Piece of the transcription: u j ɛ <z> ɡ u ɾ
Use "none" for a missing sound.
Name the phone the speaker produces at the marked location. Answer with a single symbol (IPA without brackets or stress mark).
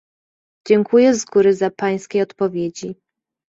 z